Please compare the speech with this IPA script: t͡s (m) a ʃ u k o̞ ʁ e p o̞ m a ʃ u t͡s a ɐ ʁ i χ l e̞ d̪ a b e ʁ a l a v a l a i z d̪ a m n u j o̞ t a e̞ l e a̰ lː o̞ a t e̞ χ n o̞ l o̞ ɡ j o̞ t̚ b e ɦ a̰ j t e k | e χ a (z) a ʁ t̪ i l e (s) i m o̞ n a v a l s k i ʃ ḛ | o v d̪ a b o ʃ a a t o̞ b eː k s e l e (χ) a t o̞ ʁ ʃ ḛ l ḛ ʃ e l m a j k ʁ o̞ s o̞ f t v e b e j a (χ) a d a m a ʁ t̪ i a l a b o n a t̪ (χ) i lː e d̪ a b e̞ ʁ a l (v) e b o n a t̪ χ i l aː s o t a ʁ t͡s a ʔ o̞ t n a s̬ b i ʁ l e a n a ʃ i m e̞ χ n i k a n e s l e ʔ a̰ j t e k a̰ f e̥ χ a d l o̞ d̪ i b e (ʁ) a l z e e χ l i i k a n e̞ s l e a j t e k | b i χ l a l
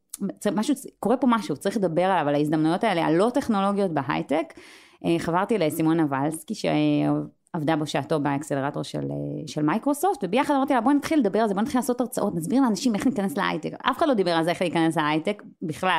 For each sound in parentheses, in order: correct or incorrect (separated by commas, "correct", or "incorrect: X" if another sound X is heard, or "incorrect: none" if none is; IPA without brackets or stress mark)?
correct, incorrect: v, correct, incorrect: ʁ, correct, correct, incorrect: z, correct